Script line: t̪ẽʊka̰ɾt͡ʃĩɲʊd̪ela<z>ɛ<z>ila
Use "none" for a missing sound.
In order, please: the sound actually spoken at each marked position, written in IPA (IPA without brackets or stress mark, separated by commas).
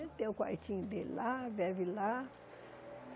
v, v